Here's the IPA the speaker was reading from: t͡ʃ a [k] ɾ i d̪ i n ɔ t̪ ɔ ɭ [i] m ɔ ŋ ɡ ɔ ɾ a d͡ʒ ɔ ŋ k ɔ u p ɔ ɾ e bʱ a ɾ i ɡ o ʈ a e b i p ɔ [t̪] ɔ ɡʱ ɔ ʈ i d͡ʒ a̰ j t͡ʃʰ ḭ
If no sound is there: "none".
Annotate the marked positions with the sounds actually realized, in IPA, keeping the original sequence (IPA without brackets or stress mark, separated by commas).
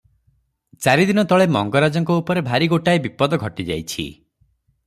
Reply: none, e, d̪